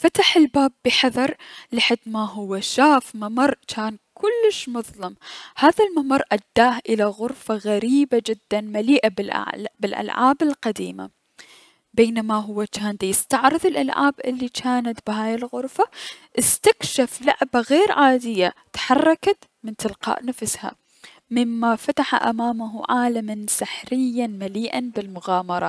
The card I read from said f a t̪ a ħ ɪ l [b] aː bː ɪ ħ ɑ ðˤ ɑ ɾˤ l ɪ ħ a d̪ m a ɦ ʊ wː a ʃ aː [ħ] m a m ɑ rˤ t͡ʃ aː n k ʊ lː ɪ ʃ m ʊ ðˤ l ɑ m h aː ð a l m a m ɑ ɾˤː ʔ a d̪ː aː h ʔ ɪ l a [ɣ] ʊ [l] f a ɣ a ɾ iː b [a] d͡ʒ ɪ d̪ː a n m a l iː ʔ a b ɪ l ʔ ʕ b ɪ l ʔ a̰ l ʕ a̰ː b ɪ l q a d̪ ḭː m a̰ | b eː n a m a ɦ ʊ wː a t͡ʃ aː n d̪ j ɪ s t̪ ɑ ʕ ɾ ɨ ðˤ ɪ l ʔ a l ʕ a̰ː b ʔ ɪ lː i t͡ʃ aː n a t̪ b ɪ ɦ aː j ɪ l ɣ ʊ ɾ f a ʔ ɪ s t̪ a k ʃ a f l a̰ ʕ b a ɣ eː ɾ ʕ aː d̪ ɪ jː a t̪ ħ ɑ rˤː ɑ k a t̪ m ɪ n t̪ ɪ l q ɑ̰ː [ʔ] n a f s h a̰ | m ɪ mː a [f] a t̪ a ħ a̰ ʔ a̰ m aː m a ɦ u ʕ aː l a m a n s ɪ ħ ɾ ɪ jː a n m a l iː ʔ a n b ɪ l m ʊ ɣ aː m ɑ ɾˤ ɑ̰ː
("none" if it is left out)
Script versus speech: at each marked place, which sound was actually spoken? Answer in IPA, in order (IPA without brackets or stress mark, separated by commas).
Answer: b, f, ɣ, ɾ, a, ʔ, f